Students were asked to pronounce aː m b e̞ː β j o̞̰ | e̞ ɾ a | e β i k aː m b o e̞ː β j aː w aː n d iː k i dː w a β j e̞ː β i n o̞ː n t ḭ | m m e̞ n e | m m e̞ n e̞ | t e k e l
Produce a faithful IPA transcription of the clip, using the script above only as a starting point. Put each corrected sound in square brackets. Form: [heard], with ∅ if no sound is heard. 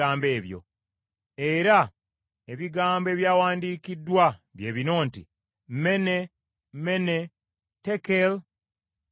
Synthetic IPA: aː m b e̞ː β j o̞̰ | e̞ ɾ a | e β i [ɡ] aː m b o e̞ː β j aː w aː n d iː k i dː w a β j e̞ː β i n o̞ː n t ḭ | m m e̞ n e | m m e̞ n e̞ | t e k e l

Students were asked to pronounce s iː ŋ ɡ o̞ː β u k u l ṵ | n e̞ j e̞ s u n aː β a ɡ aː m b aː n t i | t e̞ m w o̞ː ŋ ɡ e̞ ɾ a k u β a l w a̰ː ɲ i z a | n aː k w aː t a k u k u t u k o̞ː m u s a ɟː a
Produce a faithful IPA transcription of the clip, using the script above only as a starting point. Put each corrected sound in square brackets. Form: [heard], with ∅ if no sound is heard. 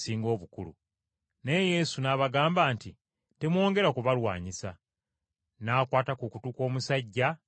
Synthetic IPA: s iː ŋ ɡ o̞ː β u k u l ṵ | n e̞ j e̞ s u n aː β a ɡ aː m b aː n t i | t e̞ m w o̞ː ŋ ɡ e̞ ɾ a k u β a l w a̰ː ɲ i [s] a | n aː k w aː t a k u k u t u k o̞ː m u s a ɟː a

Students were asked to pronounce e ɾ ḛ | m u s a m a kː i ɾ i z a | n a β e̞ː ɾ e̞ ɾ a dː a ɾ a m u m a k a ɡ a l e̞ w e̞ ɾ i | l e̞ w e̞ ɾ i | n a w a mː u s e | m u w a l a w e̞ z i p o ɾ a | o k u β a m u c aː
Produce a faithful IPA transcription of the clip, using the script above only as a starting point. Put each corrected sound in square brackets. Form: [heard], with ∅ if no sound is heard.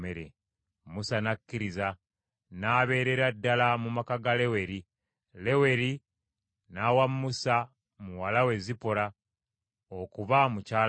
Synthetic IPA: e ɾ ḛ | m u s a [n] a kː i ɾ i z a | n a β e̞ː ɾ e̞ ɾ a dː a [l] a m u m a k a ɡ a l e̞ w e̞ ɾ i | l e̞ w e̞ ɾ i | n a w a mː u s [a] | m u w a l a w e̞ z i p o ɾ a | o k u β a m u c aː

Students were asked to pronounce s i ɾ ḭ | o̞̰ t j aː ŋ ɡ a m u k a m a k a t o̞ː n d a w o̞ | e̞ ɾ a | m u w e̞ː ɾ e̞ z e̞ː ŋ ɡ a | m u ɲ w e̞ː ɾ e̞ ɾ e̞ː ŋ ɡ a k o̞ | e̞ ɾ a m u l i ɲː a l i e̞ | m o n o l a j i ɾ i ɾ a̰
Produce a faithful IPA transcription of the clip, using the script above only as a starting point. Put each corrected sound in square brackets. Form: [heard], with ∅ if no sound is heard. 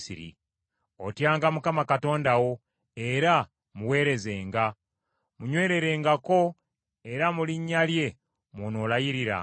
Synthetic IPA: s i ɾ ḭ | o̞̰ t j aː ŋ ɡ a m u k a m a k a t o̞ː n d a w o̞ | e̞ ɾ a | m u w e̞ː ɾ e̞ z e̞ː ŋ ɡ a | m u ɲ w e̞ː ɾ e̞ ɾ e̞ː ŋ ɡ a k o̞ | e̞ ɾ a m u l i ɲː a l [j] e̞ | m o n o l a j i ɾ i ɾ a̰

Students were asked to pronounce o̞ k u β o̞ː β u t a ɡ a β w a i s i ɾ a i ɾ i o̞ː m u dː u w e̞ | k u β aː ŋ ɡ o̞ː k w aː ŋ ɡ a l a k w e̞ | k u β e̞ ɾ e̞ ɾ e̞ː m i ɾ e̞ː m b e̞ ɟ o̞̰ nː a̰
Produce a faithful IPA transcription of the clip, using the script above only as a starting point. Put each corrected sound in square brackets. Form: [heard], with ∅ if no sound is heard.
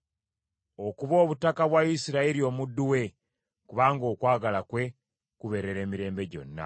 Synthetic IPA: o̞ k u β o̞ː β u t a [k] a β w a i s i ɾ a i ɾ i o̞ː m u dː u w e̞ | k u β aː ŋ ɡ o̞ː k w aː [∅] ɡ a l a k w e̞ | k u β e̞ ɾ e̞ ɾ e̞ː m i ɾ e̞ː m b e̞ ɟ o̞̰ nː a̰

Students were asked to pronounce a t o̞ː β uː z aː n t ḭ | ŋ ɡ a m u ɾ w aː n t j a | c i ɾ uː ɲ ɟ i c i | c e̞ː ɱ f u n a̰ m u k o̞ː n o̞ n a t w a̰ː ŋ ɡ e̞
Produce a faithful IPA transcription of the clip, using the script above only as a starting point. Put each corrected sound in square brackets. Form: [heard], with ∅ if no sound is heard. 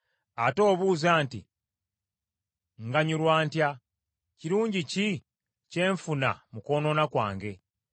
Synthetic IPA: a t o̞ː β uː z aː n t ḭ | ŋ ɡ a [ɲ] u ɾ w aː n t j a | c i ɾ uː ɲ ɟ i c i | c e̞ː ɱ f u n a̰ m u k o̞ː n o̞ n a [k] w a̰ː ŋ ɡ e̞

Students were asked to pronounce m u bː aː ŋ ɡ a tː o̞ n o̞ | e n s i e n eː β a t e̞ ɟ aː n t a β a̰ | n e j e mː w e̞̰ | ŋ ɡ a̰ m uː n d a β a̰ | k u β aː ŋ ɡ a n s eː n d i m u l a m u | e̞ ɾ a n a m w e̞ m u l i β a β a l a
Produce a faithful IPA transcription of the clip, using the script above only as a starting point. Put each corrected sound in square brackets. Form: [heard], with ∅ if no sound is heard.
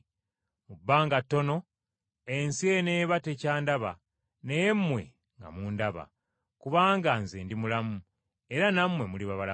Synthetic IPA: m u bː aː ŋ ɡ a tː o̞ n o̞ | e n s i e n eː β a t e̞ [c] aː n [d] a β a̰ | n e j e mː w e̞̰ | ŋ ɡ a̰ m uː n d a β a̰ | k u β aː ŋ ɡ a n [z] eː n d i m u l a m u | e̞ ɾ a n a m w e̞ m u l i β a β a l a

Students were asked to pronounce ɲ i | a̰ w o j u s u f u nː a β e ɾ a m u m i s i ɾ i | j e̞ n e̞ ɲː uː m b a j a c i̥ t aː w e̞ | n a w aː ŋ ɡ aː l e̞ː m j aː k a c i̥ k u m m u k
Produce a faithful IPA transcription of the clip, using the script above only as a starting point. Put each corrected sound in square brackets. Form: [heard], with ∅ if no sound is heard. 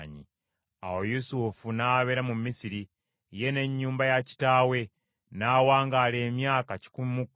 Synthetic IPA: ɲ i | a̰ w o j u s u f u [n] a β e ɾ a m u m i s i ɾ i | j e̞ n e̞ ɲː uː m b a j a c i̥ t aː w e̞ | n a w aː ŋ ɡ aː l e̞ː m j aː k a c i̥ k u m m u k

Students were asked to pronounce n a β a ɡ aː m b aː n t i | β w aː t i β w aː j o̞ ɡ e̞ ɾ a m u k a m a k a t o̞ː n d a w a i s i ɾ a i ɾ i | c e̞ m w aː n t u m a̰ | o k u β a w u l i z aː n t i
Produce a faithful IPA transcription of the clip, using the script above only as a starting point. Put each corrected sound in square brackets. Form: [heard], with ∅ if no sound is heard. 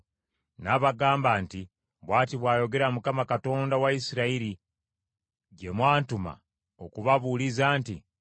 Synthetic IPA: n a β a ɡ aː m b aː n t i | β w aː t i β w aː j o̞ ɡ e̞ ɾ a m u k a m a k a t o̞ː n d a w a i s i ɾ a i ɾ i | [ɟ] e̞ m w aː n t u m a̰ | o k u β a [β] u l i z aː n t i

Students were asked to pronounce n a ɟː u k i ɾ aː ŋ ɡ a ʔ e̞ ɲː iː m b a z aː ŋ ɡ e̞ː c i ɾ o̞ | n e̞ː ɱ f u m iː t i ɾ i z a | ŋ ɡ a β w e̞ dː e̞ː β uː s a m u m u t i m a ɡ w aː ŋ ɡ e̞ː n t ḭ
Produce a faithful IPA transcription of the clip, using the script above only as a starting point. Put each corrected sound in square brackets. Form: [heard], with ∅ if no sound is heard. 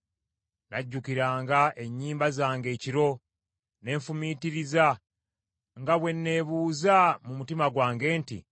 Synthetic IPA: n a ɟː u k i ɾ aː ŋ ɡ a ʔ e̞ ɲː iː m b a z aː ŋ ɡ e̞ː c i ɾ o̞ | n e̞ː ɱ f u m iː t i ɾ i z a | ŋ ɡ a β w e̞ [nː] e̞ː β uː [z] a m u m u t i m a ɡ w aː ŋ ɡ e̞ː n t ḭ

